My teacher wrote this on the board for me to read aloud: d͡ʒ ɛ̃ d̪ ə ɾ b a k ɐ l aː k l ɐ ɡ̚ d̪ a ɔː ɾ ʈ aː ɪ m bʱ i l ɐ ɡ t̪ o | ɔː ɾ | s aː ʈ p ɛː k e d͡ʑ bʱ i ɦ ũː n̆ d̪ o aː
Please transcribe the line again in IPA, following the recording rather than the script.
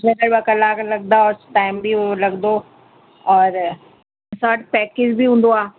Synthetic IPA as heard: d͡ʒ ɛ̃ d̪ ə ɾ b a k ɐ l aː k l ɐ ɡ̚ d̪ a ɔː ɾ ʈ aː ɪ m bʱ i l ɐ ɡ d̪ o | ɔː ɾ | s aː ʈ p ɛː k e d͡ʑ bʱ i ɦ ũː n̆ d̪ o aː